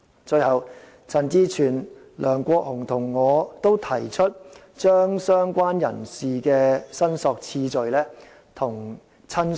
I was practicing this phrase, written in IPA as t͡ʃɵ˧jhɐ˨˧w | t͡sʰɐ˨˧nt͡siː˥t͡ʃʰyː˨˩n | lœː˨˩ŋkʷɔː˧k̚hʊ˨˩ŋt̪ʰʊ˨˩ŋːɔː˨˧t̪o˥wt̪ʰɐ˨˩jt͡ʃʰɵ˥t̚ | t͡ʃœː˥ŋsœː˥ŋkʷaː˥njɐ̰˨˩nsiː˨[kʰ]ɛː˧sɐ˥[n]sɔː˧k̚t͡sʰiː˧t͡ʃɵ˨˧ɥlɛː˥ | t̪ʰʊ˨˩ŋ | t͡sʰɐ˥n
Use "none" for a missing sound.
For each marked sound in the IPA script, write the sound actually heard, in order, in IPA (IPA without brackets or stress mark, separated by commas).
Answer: k, n